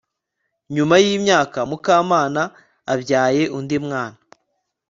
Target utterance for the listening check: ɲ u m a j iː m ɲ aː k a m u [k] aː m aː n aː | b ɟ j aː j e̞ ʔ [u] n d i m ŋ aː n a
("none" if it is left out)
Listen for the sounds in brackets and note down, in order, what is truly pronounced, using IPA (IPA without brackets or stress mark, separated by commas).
k, u